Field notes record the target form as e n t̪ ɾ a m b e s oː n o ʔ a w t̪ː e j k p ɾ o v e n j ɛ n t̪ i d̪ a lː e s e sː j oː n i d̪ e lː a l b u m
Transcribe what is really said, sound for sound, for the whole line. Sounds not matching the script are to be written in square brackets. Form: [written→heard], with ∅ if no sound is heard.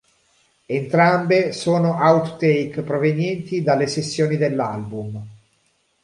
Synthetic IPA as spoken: e n t̪ ɾ a m b e s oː n o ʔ a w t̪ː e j k p ɾ o v e n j ɛ n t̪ i d̪ a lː e s e sː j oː n i d̪ e lː a l b u m